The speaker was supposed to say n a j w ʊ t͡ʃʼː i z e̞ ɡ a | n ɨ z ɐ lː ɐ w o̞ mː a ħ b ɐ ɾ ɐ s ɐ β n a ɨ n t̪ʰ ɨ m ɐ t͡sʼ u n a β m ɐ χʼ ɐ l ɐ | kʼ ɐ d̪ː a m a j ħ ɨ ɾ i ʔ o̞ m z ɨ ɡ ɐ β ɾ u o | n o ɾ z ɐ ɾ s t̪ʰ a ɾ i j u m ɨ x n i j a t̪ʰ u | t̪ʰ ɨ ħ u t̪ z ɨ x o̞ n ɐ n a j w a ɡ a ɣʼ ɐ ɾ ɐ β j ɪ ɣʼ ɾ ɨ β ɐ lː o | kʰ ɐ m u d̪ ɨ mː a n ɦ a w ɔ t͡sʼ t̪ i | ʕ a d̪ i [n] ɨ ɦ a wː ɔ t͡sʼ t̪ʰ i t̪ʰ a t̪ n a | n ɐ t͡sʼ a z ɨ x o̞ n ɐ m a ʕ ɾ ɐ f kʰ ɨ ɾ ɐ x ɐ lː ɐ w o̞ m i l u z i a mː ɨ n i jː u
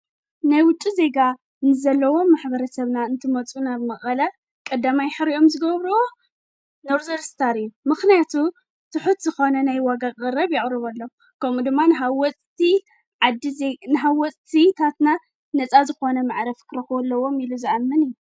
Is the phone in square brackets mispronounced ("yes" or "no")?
no